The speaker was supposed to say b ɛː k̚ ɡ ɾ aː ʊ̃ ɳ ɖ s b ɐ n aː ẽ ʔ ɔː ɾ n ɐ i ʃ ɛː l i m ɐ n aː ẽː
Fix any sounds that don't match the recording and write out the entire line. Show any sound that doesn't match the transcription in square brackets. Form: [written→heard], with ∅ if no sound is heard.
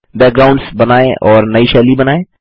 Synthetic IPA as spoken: b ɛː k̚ ɡ ɾ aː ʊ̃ ɳ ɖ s b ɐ n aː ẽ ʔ ɔː ɾ n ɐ i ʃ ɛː l i [m→b] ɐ n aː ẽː

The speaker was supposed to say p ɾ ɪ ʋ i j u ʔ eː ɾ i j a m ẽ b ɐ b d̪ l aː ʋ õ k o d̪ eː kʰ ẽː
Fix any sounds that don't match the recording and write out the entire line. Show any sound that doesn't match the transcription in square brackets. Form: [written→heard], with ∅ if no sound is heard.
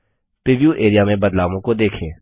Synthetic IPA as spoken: p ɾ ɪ ʋ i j u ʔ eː ɾ i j a m ẽ b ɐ [b→∅] d̪ l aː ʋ õ k o d̪ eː kʰ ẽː

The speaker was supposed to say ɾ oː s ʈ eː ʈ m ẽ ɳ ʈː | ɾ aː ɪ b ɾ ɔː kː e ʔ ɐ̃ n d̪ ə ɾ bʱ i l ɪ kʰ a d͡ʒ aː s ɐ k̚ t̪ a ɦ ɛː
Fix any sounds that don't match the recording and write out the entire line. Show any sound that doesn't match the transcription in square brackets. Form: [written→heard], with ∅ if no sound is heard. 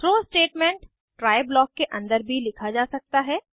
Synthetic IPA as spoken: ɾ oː s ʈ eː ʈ m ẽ ɳ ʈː | ɾ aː ɪ b [ɾ→l] ɔː kː e ʔ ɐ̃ n d̪ ə ɾ bʱ i l ɪ kʰ a d͡ʒ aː s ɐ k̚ t̪ a ɦ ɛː

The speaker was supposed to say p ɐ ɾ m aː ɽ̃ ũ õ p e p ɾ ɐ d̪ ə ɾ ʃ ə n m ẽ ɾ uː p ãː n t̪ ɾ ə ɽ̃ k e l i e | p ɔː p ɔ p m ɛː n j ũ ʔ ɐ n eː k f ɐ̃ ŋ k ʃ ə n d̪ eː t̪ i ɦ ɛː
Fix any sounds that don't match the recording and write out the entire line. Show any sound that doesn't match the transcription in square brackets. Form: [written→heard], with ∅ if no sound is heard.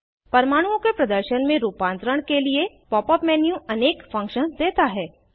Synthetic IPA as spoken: p ɐ ɾ m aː ɽ̃ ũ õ [p→k] e p ɾ ɐ d̪ ə ɾ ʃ ə n m ẽ ɾ uː p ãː n t̪ ɾ ə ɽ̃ k e l i e | p ɔː p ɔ p m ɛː n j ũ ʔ ɐ n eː k f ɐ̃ ŋ k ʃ ə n d̪ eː t̪ [i→a] ɦ ɛː

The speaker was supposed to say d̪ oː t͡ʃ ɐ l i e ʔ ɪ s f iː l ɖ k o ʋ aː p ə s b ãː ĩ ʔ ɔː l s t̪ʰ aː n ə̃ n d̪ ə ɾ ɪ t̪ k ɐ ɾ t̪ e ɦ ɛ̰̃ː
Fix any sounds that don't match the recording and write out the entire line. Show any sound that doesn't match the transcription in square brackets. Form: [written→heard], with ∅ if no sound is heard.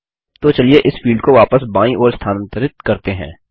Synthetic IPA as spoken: [d̪→t̪] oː t͡ʃ ɐ l i e ʔ ɪ s f iː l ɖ k o ʋ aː p ə s b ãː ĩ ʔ ɔː [l→ɾ] s t̪ʰ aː n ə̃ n [d̪→t̪] ə ɾ ɪ t̪ k ɐ ɾ t̪ e ɦ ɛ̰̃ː

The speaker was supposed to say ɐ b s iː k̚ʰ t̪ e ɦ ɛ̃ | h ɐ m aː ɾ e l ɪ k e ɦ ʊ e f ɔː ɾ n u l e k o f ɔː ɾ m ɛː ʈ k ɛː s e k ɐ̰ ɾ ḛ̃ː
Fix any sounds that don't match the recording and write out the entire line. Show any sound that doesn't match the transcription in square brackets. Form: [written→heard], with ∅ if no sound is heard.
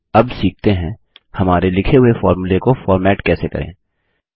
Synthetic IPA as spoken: ɐ b s iː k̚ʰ t̪ e ɦ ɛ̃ | h ɐ m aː ɾ e l ɪ [k→kʰ] e ɦ ʊ e f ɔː ɾ [n→m] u l e k o f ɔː ɾ m ɛː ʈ k ɛː s e k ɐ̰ ɾ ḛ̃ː

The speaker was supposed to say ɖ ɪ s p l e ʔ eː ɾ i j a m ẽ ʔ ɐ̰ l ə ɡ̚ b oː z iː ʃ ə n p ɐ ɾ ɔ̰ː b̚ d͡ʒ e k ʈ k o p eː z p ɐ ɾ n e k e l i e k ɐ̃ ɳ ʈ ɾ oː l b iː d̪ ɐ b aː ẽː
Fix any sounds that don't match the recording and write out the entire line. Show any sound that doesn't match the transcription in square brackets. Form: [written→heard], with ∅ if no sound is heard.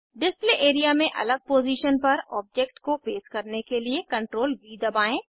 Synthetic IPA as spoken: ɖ ɪ s p l e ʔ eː ɾ i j a m ẽ ʔ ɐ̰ l ə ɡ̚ [b→p] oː z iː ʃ ə n p ɐ ɾ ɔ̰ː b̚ d͡ʒ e k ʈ k o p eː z [p→k] ɐ ɾ n e k e l i e k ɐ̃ ɳ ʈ ɾ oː l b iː d̪ ɐ b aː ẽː

